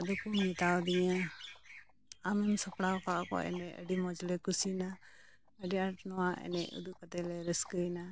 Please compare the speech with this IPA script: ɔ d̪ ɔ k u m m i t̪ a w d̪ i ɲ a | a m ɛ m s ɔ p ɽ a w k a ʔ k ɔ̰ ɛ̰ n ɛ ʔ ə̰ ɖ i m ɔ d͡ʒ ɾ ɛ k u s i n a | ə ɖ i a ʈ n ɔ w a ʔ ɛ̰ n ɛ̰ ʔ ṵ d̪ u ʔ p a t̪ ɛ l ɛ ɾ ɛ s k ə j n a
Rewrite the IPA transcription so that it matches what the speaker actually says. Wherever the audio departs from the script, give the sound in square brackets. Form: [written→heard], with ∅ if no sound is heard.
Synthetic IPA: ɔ d̪ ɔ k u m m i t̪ a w d̪ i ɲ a | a m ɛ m s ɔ p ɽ a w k a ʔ k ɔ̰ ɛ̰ n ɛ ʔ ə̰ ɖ i m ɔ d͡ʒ [ɾ→l] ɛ k u s i n a | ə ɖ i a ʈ n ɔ w a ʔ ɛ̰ n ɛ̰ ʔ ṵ d̪ u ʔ [p→k] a t̪ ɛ l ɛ ɾ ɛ s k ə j n a

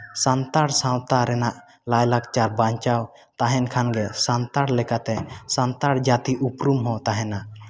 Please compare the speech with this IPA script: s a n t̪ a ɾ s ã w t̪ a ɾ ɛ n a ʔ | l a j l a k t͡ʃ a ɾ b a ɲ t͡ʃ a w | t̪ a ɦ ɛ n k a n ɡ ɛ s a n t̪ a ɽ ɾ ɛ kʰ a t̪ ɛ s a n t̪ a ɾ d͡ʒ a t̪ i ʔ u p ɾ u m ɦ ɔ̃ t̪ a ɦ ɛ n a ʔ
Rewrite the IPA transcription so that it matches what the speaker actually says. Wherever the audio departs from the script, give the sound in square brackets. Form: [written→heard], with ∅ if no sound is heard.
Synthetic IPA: s a n t̪ a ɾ s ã w t̪ a ɾ ɛ n a ʔ | l a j l a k t͡ʃ a ɾ b a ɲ t͡ʃ a w | t̪ a ɦ ɛ n [k→kʰ] a n ɡ ɛ s a n t̪ a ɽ [ɾ→l] ɛ [kʰ→k] a t̪ ɛ s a n t̪ a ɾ d͡ʒ a t̪ i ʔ u p ɾ u m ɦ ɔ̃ t̪ a ɦ ɛ n a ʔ

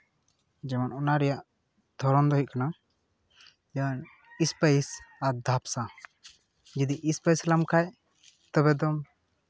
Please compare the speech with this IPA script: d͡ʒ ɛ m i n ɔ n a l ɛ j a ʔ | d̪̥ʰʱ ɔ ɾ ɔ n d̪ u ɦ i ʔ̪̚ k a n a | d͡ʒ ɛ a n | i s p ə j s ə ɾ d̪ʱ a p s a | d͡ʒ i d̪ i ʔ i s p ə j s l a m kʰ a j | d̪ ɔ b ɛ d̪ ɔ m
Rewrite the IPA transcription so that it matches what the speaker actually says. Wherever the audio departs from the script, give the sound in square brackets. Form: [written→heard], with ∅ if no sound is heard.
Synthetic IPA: d͡ʒ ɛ m [i→a] n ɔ n a [l→ɾ] ɛ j a ʔ | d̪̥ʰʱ ɔ ɾ ɔ n d̪ [u→ɔ] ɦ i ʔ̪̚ k a n a | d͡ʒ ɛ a n | i s p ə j s [ə→a] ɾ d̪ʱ a p s a | d͡ʒ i d̪ i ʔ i s p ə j s l a m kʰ a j | [d̪→t̪] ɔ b ɛ d̪ ɔ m

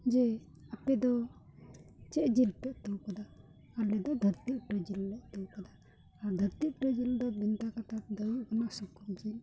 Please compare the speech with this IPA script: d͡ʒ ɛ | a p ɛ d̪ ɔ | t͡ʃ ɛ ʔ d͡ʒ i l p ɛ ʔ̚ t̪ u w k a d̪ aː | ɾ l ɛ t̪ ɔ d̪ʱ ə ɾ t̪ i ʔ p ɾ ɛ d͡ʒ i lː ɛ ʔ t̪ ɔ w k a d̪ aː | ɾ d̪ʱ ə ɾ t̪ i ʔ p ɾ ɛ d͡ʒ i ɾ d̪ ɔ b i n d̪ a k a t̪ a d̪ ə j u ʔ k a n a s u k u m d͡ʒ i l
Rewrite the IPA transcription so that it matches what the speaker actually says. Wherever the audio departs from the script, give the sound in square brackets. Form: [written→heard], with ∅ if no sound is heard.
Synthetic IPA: d͡ʒ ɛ | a p ɛ d̪ ɔ | t͡ʃ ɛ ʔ d͡ʒ i l p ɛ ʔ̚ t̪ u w k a d̪ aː | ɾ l ɛ [t̪→d̪] ɔ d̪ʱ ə ɾ t̪ i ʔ p ɾ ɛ d͡ʒ i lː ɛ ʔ t̪ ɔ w k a d̪ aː | ɾ d̪ʱ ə ɾ t̪ i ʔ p ɾ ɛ d͡ʒ i [ɾ→l] d̪ ɔ b i n [d̪→t̪] a k a t̪ a d̪ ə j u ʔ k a n a s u k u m d͡ʒ i l

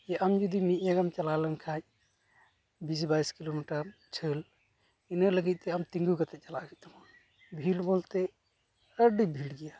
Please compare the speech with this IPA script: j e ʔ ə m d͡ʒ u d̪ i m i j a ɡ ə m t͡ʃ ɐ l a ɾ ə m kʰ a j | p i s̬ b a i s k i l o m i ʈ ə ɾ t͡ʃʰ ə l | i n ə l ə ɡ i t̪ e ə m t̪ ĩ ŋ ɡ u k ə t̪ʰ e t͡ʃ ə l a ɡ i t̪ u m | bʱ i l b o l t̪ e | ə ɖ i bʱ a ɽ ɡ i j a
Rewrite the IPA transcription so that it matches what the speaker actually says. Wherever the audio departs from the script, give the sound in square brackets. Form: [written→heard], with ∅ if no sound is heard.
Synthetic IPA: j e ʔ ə m d͡ʒ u d̪ i m i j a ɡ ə m t͡ʃ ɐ l a [ɾ→l] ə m kʰ a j | [p→b] i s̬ b a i s k i l o m i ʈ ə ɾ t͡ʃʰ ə l | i n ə l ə ɡ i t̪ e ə m t̪ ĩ ŋ ɡ u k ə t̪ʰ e t͡ʃ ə l a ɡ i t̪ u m | bʱ i l b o l t̪ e | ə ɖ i bʱ [a→i] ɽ ɡ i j a

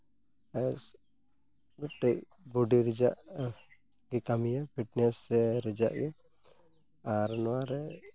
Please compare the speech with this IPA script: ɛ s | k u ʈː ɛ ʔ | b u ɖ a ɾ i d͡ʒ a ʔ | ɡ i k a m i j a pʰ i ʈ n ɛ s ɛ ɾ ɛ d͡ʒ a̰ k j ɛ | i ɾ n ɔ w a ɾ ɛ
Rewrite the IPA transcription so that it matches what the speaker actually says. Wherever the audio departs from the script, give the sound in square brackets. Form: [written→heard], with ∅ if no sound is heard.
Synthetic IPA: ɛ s | [k→ɡ] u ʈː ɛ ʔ | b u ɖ [a→i] ɾ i d͡ʒ a ʔ | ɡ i k a m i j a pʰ i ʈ n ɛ s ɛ ɾ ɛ d͡ʒ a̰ [k→ʔ] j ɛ | [i→a] ɾ n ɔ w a ɾ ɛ

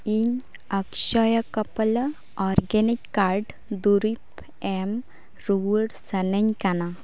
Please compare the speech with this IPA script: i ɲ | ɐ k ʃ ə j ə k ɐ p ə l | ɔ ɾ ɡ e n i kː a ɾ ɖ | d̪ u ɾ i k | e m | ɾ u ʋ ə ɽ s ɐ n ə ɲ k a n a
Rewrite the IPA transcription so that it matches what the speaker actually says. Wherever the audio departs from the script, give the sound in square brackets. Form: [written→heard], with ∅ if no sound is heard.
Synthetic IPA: i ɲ | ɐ k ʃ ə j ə k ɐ p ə l | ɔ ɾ ɡ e n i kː a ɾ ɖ | d̪ u ɾ i [k→p] | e m | ɾ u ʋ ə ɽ s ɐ n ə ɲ k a n a

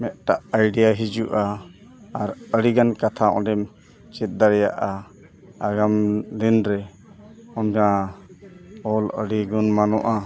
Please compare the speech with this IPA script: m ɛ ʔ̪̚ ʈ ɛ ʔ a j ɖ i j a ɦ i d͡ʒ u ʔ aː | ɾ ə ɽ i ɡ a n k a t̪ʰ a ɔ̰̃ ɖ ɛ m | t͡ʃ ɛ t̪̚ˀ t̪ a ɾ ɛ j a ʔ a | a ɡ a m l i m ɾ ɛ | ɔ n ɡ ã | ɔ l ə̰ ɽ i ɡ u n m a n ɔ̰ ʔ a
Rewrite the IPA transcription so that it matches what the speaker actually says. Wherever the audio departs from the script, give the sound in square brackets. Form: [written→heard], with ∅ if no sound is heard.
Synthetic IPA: m ɛ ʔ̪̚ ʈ [ɛ→a] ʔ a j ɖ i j a ɦ i d͡ʒ u ʔ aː | ɾ ə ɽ i ɡ a n k a t̪ʰ a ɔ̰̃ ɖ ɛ m | t͡ʃ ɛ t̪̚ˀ [t̪→d̪] a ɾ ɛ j a ʔ a | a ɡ a m l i [m→n] ɾ ɛ | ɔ n ɡ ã | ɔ l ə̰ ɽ i ɡ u n m a n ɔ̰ ʔ a

